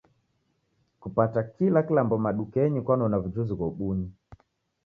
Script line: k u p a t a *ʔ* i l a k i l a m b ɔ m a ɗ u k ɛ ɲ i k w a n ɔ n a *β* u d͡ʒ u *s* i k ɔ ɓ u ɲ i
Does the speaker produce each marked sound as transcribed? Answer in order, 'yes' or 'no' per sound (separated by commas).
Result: no, no, no